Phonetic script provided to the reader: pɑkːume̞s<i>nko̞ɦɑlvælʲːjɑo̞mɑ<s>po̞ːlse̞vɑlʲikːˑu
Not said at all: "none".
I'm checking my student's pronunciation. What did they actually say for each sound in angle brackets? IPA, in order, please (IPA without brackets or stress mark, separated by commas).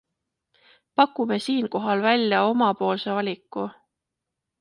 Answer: iː, none